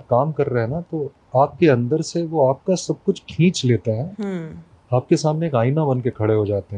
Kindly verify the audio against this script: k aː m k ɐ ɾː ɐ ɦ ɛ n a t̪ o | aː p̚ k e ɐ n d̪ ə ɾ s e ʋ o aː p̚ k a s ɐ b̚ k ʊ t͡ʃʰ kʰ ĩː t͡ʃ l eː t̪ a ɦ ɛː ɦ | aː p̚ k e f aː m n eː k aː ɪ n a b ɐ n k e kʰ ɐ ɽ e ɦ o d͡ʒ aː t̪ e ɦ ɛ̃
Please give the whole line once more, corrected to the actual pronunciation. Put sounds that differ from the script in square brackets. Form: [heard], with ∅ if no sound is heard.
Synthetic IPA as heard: k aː m k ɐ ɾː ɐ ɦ ɛ n a t̪ o | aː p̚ k e [ɐ̃] n d̪ ə ɾ s e ʋ o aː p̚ k a s ɐ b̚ k ʊ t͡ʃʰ kʰ ĩː t͡ʃ l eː t̪ a ɦ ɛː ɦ | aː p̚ k e [s] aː m n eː k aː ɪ n a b ɐ n k e kʰ ɐ ɽ e ɦ o d͡ʒ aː t̪ e ɦ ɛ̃